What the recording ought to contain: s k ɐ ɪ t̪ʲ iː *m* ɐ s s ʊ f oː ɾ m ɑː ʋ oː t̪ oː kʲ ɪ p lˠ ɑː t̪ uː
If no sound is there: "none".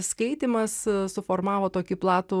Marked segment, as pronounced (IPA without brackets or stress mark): m